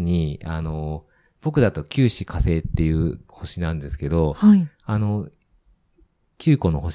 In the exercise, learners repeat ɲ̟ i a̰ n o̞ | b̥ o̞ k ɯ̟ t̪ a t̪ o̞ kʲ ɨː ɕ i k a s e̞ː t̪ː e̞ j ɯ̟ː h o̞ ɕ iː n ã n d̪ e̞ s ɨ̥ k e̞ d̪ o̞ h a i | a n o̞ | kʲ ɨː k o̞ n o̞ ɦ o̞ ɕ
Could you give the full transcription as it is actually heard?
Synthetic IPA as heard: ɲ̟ i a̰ n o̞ | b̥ o̞ k ɯ̟ d̪ a t̪ o̞ kʲ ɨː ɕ i k a s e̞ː t̪ː e̞ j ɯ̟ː h o̞ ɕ i n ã n d̪ e̞ s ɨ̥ k e̞ d̪ o̞ h a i | a n o̞ | kʲ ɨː k o̞ n o̞ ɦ o̞ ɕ